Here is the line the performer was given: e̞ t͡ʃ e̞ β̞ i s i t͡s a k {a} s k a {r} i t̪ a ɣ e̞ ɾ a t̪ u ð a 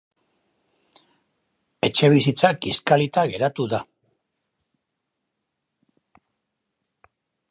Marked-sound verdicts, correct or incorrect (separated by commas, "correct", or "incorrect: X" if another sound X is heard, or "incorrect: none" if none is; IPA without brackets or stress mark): incorrect: i, incorrect: l